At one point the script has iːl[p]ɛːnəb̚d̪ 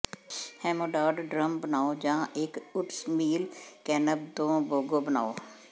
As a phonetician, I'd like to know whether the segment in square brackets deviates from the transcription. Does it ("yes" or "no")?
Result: yes